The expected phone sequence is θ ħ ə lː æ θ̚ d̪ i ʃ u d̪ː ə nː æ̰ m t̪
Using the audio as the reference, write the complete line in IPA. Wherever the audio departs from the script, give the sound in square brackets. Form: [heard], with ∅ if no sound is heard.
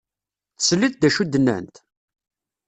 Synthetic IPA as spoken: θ [s] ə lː [i] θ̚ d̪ [æ] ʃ u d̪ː ə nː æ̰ [n] t̪